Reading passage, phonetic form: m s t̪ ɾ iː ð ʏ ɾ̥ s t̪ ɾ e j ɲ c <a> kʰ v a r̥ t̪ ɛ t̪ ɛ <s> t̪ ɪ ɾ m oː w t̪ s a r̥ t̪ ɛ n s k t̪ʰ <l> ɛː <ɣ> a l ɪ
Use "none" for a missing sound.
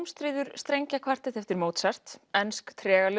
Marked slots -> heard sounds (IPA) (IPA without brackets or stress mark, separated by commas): a, f, ɾ, ɣ